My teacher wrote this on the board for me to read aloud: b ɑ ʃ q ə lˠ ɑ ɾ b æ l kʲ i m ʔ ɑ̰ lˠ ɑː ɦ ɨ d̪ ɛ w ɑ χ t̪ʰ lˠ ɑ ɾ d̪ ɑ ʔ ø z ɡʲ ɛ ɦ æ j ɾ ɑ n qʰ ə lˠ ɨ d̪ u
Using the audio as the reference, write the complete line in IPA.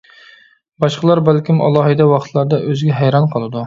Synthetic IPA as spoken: b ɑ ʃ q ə lˠ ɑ ɾ b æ l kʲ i m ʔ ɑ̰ lˠ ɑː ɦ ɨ d̪ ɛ w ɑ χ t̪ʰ lˠ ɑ ɾ d̪ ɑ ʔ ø z ɡʲ ɛ ɦ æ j ɾ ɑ n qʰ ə lˠ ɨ d̪ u

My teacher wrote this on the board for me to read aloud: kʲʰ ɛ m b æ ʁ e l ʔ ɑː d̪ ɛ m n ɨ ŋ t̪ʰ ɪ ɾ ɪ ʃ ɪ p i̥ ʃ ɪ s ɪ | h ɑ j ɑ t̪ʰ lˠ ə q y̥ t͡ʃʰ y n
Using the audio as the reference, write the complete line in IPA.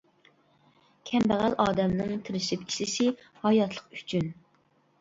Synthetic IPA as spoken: kʲʰ ɛ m b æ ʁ æ l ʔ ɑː d̪ ɛ m n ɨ ŋ t̪ʰ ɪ ɾ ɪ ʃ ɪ p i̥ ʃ ɪ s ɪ | h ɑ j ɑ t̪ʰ lˠ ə q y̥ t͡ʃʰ y n

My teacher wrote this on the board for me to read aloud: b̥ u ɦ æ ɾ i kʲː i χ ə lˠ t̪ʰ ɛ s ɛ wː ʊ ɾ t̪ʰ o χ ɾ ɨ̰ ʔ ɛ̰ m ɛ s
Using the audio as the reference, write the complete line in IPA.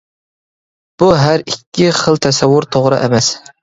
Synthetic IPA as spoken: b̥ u ɦ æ ɾ i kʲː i χ ə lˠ t̪ʰ ɛ s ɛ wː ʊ ɾ t̪ʰ o ʁ ɾ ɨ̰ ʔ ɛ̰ m ɛ s

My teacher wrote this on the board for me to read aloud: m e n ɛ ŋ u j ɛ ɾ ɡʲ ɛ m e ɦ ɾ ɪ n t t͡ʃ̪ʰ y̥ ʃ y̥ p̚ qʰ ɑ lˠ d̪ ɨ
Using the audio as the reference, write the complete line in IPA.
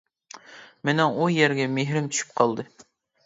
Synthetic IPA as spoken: m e n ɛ ŋ u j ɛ ɾ ɡʲ ɛ m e ɦ ɾ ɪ m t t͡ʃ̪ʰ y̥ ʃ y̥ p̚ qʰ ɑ lˠ d̪ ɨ

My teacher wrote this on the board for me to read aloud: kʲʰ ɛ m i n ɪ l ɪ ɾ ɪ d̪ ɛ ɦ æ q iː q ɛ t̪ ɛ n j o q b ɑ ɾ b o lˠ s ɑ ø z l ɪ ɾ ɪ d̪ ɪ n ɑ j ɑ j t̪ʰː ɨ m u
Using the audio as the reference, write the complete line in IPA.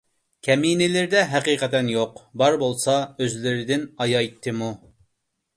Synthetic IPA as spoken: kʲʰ ɛ m i n ɪ l ɪ ɾ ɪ d̪ ɛ ɦ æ q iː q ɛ t̪ ɛ n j o q b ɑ ɾ b o lˠ s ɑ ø z l ɪ ɾ ɪ d̪ ɪ n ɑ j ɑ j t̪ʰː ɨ m u

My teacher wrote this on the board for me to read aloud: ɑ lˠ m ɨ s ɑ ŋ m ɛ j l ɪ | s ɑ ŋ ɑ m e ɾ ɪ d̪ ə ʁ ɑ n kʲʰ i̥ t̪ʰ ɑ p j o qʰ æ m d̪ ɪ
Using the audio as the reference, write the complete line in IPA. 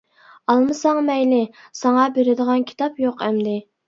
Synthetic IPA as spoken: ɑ lˠ m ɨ s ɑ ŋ m ɛ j l ɪ | s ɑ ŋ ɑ b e ɾ ɪ d̪ ə ʁ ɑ n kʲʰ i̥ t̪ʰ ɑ p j o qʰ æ m d̪ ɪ

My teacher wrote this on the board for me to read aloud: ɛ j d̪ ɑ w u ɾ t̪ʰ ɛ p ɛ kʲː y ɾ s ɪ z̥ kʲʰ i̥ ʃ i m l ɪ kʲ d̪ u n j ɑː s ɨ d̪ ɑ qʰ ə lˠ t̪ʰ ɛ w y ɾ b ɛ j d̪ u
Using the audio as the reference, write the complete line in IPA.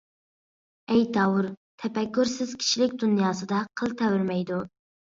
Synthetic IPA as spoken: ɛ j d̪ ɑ w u ɾ t̪ʰ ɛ p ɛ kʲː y ɾ s ɪ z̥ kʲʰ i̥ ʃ i l ɪ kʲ d̪ u n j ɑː s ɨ d̪ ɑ qʰ ə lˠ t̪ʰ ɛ w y ɾ m ɛ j d̪ u

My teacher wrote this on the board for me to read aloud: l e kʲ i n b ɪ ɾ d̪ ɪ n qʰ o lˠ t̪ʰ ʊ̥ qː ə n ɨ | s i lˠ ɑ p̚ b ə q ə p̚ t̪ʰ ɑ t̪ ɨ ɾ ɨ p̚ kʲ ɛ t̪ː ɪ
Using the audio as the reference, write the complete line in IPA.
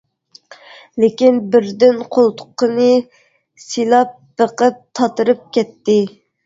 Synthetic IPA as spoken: l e kʲ i n b ɪ ɾ d̪ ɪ n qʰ o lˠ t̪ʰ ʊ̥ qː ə n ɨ | s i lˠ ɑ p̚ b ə q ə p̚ t̪ʰ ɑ t̪ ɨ ɾ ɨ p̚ kʲ ɛ t̪ː ɪ

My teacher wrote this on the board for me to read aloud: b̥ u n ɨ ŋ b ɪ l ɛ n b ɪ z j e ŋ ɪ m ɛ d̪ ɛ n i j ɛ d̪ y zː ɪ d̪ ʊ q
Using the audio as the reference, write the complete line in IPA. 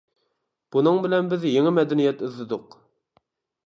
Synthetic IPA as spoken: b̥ u n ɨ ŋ b ɪ l ɛ n b ɪ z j e ŋ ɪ m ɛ d̪ ɛ n i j ɛ t̪ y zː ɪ d̪ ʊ q

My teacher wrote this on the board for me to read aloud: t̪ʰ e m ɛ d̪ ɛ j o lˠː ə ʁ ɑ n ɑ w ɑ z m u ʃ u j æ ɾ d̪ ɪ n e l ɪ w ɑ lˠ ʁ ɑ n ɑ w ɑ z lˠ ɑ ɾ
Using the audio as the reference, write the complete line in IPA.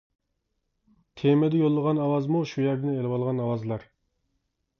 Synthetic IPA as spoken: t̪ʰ e m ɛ d̪ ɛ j o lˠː ə ʁ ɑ n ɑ w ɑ z m u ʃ u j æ ɾ d̪ ɪ n e l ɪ w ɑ lˠ ʁ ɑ n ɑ w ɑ z lˠ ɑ ɾ

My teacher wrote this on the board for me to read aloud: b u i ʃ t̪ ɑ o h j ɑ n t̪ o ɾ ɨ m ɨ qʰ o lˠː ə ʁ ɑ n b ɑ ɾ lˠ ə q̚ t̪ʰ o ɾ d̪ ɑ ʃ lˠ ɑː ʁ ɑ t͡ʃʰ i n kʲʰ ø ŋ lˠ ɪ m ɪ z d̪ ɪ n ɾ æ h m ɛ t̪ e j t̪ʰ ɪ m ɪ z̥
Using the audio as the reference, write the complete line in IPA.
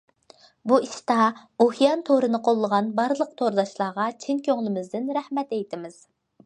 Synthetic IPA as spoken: b u i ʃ t̪ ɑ o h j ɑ n t̪ʰ o ɾ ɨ n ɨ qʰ o lˠː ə ʁ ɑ n b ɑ ɾ lˠ ə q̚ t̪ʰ o ɾ d̪ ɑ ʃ lˠ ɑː ʁ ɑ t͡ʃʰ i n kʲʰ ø ŋ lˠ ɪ m ɪ z d̪ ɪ n ɾ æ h m ɛ t̪ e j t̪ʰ ɪ m ɪ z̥

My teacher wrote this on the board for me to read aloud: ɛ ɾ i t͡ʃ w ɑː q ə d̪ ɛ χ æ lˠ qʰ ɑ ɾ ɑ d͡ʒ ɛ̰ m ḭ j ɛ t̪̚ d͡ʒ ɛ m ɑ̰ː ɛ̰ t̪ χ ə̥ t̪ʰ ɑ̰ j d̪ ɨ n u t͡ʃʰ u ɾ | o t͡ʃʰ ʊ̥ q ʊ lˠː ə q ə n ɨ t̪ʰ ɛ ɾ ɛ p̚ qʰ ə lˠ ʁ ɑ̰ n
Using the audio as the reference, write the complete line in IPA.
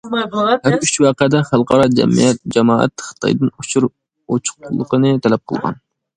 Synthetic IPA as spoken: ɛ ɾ y t͡ʃ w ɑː q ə d̪ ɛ χ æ lˠ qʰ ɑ ɾ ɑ d͡ʒ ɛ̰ m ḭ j ɛ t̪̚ d͡ʒ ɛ m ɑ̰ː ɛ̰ t̪ χ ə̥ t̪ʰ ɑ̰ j d̪ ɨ n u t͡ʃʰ u ɾ | o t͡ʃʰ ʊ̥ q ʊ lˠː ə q ə n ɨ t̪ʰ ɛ l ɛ p̚ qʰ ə lˠ ʁ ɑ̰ n

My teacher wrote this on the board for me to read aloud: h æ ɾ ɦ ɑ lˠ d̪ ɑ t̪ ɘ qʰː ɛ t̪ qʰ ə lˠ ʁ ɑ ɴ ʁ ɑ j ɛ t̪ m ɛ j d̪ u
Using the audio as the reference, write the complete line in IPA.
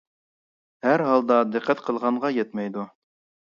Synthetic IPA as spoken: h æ ɾ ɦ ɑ lˠ d̪ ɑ d̪ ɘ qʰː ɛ t̪ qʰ ə lˠ ʁ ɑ ɴ ʁ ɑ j ɛ t̪ m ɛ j d̪ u

